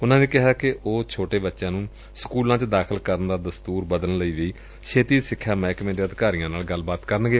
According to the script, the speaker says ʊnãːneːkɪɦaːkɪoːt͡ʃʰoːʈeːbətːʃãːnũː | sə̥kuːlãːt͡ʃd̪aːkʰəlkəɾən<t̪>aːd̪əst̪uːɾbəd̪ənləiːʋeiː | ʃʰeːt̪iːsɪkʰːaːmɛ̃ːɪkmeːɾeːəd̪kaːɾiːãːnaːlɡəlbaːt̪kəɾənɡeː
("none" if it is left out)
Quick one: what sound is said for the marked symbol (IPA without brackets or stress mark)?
d̪